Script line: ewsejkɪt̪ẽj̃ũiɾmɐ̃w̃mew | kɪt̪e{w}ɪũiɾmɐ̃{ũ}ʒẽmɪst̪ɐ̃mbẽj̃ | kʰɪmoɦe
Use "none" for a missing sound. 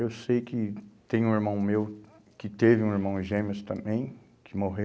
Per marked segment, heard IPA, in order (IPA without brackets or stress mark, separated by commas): v, w̃